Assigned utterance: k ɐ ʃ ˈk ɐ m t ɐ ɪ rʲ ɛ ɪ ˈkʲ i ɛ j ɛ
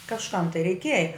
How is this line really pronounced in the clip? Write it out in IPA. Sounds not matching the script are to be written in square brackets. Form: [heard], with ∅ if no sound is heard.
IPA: k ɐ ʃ ˈk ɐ m t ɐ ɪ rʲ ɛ ɪ ˈkʲ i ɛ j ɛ